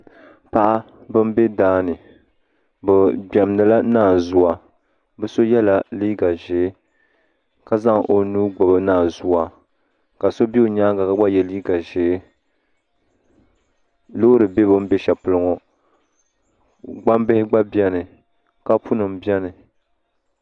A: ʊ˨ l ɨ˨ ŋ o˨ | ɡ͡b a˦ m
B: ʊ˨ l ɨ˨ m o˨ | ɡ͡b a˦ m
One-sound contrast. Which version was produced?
A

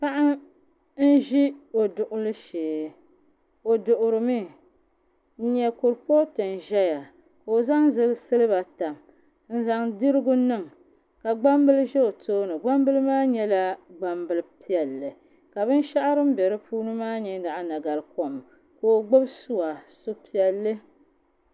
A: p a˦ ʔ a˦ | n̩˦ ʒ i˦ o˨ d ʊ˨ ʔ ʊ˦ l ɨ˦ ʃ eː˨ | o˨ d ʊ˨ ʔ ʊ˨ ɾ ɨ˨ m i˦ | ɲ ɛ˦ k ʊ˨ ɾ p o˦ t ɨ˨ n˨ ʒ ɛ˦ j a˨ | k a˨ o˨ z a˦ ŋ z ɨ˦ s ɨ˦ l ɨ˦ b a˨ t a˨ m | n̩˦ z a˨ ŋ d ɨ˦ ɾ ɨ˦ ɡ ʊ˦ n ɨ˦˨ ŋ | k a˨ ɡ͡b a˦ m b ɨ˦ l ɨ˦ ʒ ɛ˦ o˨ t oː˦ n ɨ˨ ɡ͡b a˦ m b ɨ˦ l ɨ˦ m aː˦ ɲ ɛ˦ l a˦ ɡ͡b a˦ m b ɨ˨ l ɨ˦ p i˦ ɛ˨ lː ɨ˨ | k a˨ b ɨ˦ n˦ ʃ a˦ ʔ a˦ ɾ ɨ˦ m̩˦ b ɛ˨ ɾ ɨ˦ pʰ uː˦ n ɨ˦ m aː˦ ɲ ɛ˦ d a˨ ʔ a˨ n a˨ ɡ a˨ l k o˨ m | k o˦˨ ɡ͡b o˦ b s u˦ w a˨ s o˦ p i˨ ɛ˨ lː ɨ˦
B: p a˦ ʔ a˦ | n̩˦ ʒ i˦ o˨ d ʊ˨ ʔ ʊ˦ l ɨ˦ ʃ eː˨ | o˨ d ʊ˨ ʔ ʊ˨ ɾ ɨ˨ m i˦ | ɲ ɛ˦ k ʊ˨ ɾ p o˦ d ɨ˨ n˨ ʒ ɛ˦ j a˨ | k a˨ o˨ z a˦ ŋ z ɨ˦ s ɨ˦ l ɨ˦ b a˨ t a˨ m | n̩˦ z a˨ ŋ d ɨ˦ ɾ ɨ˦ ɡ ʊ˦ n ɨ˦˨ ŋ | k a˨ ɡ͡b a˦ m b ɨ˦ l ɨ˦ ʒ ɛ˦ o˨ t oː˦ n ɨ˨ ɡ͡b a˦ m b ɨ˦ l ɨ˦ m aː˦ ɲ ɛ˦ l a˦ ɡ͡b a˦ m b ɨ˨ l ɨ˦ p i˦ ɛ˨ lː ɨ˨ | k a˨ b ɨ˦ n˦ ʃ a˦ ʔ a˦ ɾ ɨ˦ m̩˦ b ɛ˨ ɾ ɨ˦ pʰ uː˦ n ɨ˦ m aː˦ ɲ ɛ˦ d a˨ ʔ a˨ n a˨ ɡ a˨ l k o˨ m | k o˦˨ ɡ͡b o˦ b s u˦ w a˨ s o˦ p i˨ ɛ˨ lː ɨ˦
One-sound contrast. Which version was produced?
A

